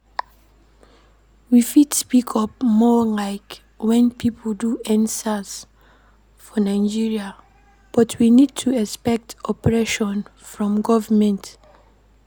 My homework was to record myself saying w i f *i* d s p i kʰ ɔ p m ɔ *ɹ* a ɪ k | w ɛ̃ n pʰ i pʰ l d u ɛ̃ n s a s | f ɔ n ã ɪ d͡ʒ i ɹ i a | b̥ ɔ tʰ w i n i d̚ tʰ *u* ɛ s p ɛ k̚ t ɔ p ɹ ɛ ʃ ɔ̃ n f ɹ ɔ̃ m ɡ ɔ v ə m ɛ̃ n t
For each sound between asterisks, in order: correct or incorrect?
correct, incorrect, correct

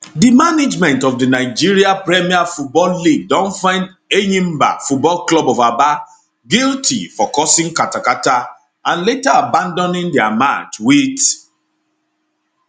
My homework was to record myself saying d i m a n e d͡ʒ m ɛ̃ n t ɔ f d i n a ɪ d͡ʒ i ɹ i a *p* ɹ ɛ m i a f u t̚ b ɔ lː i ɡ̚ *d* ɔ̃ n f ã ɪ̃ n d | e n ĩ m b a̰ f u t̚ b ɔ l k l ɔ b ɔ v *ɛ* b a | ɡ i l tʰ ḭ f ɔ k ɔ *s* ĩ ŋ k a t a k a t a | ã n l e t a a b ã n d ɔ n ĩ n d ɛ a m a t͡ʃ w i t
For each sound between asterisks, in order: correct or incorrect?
correct, correct, incorrect, correct

